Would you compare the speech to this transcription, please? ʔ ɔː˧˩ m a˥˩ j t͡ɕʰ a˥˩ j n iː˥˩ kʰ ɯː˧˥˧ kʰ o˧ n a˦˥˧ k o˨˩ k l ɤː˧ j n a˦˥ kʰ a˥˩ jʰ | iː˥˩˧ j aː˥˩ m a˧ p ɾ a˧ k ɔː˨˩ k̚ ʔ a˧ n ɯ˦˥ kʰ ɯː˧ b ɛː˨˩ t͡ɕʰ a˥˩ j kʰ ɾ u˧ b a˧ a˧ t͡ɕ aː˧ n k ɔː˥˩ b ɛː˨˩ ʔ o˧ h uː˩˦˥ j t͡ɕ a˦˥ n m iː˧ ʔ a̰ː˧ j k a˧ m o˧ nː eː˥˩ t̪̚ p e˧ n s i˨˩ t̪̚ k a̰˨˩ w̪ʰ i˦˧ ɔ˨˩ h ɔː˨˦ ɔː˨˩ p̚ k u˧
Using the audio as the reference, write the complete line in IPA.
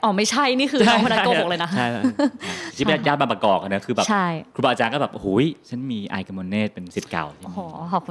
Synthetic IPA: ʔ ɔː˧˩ m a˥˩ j t͡ɕʰ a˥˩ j n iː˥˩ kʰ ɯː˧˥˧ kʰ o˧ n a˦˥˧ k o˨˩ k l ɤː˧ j n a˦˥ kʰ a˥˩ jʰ | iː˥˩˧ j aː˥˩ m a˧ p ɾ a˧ k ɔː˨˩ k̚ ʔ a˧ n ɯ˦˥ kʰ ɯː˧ b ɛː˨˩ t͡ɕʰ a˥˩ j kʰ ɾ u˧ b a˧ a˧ t͡ɕ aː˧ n k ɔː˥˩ b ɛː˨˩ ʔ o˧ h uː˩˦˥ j t͡ɕʰ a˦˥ n m iː˧ ʔ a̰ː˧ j k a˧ m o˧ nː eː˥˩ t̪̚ p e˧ n s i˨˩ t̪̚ k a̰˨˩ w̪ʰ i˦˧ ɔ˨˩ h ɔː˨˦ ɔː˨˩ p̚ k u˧